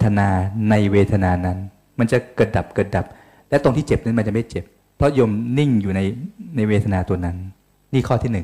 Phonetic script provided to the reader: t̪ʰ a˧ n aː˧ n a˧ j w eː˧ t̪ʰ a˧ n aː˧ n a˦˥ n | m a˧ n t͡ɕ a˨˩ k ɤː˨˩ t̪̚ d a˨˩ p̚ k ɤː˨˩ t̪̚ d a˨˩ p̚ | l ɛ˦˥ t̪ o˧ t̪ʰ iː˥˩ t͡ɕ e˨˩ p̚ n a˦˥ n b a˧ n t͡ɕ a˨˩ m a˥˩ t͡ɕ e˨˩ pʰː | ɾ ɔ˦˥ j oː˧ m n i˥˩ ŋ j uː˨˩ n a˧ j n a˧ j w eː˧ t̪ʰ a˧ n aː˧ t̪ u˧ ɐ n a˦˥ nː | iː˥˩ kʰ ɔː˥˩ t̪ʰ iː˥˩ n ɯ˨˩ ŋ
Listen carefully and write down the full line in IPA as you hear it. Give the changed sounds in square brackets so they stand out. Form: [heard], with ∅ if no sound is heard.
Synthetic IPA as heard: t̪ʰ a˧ n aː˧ n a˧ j w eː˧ t̪ʰ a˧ n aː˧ n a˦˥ n | m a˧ n t͡ɕ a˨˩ k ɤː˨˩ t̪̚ d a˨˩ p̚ k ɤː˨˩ t̪̚ d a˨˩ p̚ | l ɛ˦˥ t̪ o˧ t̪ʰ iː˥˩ t͡ɕ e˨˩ p̚ n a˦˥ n [m] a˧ n t͡ɕ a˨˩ m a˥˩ t͡ɕ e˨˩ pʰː | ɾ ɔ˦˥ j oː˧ m n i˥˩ ŋ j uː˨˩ n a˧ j n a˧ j w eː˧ t̪ʰ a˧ n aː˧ t̪ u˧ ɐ n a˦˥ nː | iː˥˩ kʰ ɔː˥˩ t̪ʰ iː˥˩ n ɯ˨˩ ŋ